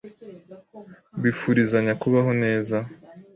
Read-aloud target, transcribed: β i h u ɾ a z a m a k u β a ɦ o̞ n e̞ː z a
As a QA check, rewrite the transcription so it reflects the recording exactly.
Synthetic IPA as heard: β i f u ɾ i z a ɲ a k u β a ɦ o̞ n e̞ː z a

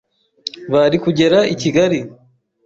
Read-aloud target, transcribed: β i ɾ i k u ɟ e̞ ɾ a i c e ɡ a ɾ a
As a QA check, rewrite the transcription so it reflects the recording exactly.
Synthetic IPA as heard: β a ɾ i k u ɟ e̞ ɾ a i c i ɡ a ɾ i

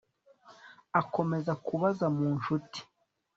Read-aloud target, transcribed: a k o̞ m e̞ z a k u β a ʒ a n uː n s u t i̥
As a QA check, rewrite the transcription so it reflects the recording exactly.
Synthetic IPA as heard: a k o̞ m e̞ z a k u β a z a m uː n ʃ u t i̥

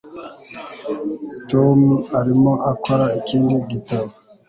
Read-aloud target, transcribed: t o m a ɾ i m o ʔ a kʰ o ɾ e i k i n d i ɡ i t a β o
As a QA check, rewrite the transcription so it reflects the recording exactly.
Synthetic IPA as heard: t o m a ɾ i m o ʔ a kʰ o ɾ a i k i n d i ɡ i t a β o

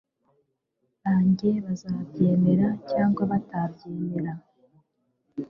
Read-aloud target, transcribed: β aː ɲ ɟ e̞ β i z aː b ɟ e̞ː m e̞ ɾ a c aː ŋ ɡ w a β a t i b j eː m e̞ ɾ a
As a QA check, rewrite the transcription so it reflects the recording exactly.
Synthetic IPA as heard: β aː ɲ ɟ e̞ β a z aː b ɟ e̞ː m e̞ ɾ a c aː ŋ ɡ w a β a t a b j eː m e̞ ɾ a

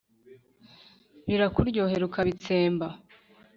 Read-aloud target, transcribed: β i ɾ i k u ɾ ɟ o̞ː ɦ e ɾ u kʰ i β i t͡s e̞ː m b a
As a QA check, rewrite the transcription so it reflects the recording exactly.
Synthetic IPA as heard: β i ɾ a k u ɾ ɟ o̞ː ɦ e ɾ u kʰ a β i t͡s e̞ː m b a

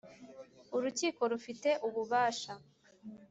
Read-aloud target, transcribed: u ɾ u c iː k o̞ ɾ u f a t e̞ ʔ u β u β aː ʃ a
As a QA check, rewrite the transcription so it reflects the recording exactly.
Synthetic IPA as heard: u ɾ u c iː k o̞ ɾ u f i t e̞ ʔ u β u β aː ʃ a

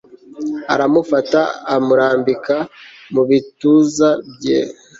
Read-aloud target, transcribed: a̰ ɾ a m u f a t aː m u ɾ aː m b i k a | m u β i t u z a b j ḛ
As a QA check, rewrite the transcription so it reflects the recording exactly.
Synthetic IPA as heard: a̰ ɾ a m u f a t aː m u ɾ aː m b i k a | m u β i t u z a b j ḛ

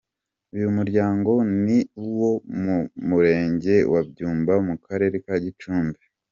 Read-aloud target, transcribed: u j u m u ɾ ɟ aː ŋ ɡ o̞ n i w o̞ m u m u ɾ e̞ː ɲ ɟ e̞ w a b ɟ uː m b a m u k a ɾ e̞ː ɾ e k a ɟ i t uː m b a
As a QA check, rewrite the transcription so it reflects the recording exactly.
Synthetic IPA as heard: u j u m u ɾ ɟ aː ŋ ɡ o̞ n i w o̞ m u m u ɾ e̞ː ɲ ɟ e̞ w a b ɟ uː m b a m u k a ɾ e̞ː ɾ e k a ɟ i t͡ʃ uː m b e

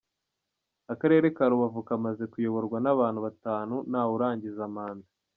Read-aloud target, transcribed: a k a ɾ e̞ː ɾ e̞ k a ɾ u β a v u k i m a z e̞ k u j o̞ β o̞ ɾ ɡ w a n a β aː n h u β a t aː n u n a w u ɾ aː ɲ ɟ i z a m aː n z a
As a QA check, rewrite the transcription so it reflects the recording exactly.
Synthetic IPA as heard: a k a ɾ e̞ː ɾ e̞ k a ɾ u β a v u k a m a z e̞ k u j o̞ β o̞ ɾ ɡ w a n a β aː n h u β a t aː n u n a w u ɾ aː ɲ ɟ i z a m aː n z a

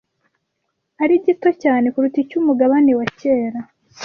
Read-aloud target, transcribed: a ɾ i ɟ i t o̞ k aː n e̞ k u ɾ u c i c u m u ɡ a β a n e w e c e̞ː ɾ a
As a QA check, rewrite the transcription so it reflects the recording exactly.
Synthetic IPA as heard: a ɾ i ɟ i t o̞ c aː n e̞ k u ɾ u t i c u m u ɡ a β a n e w a c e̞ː ɾ a

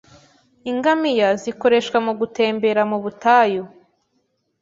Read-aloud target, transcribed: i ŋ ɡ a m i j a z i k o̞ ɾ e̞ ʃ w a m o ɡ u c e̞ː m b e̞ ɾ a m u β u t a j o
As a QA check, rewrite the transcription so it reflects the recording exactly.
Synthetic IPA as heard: i ŋ ɡ a m i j a z i k o̞ ɾ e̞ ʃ w a m u ɡ u t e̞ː m b e̞ ɾ a m u β u t a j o

